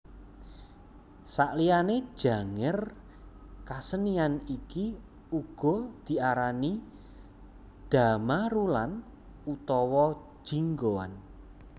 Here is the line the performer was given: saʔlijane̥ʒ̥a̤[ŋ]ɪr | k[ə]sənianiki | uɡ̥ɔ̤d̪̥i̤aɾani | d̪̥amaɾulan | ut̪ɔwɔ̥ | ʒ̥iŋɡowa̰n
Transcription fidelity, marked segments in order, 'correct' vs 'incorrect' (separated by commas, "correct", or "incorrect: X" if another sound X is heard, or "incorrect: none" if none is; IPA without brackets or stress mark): correct, incorrect: a